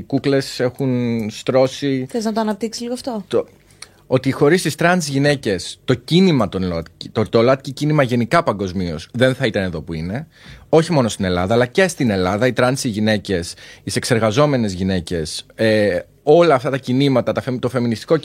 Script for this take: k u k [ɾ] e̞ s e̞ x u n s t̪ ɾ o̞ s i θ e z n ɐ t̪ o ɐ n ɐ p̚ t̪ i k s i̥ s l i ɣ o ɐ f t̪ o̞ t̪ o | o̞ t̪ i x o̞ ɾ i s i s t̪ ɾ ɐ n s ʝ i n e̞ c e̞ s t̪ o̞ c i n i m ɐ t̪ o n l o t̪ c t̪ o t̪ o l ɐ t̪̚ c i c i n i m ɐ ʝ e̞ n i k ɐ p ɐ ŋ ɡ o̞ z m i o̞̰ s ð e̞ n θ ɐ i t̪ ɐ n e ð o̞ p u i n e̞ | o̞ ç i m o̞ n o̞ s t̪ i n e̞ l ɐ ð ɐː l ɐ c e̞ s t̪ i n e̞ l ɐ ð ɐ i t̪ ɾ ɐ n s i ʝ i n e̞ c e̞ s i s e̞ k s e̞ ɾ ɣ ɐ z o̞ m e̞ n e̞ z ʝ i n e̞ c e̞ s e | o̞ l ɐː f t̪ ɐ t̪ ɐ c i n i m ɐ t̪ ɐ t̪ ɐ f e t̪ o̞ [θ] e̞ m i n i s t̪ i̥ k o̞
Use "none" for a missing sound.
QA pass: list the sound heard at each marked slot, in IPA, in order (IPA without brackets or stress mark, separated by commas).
l, f